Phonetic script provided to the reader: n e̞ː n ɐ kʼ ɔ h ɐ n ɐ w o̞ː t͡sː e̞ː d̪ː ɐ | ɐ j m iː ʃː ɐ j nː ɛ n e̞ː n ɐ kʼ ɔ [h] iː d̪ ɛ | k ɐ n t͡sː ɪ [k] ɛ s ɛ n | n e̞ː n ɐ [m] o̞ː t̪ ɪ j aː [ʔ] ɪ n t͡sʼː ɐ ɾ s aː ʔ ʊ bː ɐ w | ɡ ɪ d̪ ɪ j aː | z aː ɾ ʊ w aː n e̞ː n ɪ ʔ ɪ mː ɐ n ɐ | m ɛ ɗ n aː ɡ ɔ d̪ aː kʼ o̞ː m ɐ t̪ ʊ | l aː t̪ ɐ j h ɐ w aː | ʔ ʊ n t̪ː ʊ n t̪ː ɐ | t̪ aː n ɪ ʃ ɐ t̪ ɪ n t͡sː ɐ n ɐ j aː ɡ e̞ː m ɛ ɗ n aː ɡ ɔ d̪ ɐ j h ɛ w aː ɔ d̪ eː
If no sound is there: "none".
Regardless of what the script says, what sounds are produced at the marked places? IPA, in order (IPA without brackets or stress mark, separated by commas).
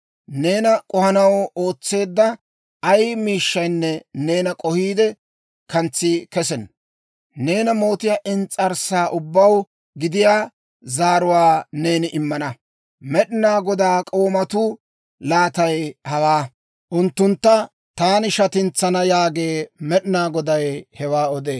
h, k, m, ʔ